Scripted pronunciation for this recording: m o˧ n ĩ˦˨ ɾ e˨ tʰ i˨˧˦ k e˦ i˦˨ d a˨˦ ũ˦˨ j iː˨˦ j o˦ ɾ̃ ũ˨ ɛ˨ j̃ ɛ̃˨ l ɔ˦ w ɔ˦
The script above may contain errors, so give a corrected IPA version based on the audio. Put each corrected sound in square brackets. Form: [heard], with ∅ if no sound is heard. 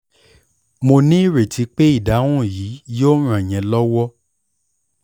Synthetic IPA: m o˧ n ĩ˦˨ ɾ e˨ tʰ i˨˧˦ [k͡p] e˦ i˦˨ d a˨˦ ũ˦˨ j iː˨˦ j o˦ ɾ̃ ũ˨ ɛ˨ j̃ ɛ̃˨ l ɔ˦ w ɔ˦